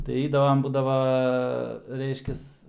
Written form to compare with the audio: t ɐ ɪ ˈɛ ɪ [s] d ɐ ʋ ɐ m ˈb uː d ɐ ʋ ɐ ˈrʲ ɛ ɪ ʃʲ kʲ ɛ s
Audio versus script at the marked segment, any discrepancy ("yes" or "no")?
yes